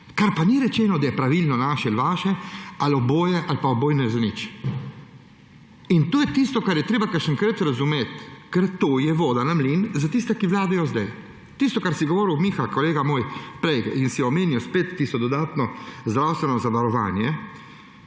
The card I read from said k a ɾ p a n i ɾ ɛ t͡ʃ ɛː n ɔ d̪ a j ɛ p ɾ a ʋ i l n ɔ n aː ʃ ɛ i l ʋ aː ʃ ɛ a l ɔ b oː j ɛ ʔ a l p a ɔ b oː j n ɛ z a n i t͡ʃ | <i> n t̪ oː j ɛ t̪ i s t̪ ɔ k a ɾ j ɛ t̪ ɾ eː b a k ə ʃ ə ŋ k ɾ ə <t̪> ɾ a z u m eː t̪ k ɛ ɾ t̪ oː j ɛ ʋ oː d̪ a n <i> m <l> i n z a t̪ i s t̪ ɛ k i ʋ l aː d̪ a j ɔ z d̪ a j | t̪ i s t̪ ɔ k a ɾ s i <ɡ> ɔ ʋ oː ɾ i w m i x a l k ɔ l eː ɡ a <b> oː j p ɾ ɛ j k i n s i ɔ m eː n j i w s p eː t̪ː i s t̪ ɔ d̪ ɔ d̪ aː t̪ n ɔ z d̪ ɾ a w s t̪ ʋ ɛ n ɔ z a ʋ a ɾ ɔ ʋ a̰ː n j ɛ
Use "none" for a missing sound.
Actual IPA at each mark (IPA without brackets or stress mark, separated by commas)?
i, t̪, a, l, ɡ, m